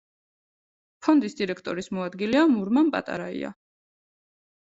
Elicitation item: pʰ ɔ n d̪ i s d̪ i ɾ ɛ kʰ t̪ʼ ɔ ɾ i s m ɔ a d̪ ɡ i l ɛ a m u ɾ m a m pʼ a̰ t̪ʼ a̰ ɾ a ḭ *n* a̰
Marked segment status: incorrect: none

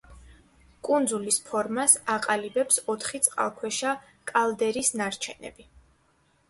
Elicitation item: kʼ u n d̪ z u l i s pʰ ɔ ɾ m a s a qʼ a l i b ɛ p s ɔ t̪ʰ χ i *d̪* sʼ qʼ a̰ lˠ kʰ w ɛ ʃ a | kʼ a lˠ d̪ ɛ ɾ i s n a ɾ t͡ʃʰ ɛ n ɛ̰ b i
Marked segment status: incorrect: t̪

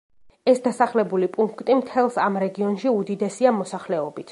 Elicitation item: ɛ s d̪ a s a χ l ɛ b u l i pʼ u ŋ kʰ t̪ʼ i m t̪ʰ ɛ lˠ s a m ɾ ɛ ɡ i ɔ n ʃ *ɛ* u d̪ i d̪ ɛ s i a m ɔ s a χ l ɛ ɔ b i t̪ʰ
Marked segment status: incorrect: i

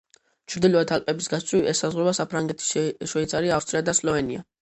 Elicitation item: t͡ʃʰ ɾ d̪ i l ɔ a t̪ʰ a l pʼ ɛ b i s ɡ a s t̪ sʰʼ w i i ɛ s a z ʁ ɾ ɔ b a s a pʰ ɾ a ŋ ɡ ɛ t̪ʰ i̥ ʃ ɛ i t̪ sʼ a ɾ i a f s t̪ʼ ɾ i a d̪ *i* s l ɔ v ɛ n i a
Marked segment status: incorrect: a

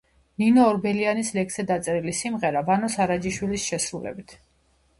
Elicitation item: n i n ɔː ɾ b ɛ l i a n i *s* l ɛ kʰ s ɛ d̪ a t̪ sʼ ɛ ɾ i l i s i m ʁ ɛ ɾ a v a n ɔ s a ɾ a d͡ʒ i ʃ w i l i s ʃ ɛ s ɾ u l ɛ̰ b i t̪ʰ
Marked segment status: correct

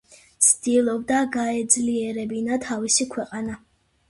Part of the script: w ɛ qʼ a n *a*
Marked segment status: correct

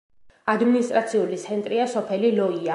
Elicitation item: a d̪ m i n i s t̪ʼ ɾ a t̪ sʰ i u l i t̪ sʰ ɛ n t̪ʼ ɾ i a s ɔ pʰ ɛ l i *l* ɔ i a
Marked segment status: correct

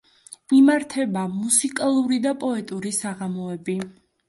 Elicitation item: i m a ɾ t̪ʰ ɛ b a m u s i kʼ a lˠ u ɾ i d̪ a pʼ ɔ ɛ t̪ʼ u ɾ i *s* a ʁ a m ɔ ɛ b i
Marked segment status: correct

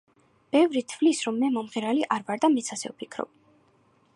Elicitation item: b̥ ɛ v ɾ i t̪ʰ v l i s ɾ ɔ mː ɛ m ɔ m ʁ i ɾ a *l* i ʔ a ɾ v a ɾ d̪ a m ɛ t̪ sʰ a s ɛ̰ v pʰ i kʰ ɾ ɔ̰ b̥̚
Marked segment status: correct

